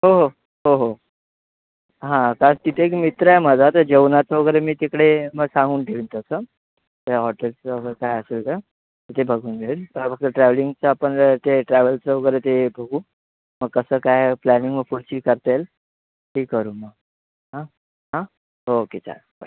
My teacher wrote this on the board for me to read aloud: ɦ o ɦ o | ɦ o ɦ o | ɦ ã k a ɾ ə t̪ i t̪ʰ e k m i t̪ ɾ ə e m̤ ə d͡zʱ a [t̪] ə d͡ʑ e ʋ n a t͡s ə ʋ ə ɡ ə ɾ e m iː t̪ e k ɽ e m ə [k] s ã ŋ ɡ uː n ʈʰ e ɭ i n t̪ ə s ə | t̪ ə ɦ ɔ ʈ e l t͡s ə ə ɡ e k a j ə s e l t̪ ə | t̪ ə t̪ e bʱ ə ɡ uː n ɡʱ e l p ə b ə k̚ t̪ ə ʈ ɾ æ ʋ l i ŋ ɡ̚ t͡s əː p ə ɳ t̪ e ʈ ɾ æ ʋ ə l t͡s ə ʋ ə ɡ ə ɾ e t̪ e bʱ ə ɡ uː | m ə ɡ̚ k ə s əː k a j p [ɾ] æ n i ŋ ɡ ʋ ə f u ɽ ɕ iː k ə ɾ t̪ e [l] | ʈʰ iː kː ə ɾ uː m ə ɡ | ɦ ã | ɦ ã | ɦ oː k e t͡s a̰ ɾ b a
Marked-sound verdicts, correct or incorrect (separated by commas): correct, incorrect, incorrect, correct